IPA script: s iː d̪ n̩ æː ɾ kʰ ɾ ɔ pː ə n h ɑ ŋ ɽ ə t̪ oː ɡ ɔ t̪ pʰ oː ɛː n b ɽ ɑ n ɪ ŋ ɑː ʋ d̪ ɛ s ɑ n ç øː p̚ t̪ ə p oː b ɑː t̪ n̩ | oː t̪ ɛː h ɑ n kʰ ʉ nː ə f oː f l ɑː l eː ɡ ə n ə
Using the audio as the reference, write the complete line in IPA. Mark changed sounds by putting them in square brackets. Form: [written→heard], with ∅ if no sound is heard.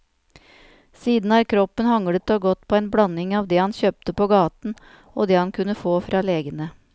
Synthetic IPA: s iː d̪ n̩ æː ɾ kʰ ɾ ɔ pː ə n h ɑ ŋ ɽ ə t̪ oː ɡ ɔ t̪ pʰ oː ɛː n b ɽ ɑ n ɪ ŋ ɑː ʋ d̪ ɛ [s→h] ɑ n ç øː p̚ t̪ ə p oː [b→ɡ] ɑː t̪ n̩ | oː [t̪→d̪] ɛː h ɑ n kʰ ʉ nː ə f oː f [l→ɾ] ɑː l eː ɡ ə n ə